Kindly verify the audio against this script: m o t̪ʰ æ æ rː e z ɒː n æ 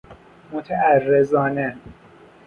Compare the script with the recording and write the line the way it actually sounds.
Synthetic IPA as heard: m o t̪ʰ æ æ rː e z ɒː n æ